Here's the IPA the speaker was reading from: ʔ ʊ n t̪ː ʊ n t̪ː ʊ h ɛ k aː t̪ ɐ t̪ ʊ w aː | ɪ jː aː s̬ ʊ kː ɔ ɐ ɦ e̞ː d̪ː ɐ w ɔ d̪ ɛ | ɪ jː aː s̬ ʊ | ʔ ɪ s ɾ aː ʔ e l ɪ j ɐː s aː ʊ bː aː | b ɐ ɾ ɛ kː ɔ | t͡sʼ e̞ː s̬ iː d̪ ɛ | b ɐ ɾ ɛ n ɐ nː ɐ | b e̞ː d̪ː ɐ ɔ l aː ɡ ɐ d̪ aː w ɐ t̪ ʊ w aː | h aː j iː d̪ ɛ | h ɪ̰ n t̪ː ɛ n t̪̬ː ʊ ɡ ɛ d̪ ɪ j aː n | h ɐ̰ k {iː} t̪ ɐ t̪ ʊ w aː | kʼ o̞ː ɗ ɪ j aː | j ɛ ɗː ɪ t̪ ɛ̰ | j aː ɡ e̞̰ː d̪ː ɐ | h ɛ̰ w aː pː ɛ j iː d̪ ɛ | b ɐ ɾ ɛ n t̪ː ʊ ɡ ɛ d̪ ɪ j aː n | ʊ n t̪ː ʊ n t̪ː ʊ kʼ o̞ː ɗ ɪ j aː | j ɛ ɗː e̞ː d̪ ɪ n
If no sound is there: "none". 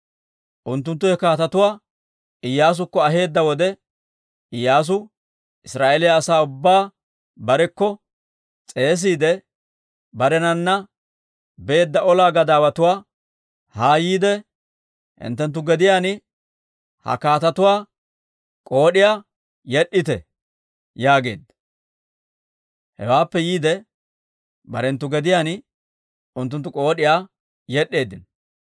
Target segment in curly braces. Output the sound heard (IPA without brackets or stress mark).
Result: aː